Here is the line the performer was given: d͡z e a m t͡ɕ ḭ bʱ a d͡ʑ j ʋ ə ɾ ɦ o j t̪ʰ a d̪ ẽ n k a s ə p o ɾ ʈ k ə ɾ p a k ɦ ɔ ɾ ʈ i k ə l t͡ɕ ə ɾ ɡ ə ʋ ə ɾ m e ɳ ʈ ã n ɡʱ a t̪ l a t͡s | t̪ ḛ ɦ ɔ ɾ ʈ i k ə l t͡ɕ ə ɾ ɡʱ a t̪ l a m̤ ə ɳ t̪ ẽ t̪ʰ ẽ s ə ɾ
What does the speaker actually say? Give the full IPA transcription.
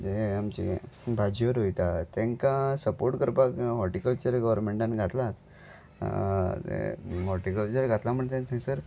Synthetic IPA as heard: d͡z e a m t͡ɕ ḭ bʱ a d͡ʑ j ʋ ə ɾ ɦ o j t̪ a t̪ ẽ ŋ k a s ə p o ɾ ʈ k ə ɾ p a k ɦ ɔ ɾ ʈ i k ə l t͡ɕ ə ɾ ɡ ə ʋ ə ɾ m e ɳ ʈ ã n ɡʱ a t̪ l a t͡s | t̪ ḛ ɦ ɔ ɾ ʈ i k ə l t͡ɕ ə ɾ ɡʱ a t̪ l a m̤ ə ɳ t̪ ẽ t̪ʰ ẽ s ə ɾ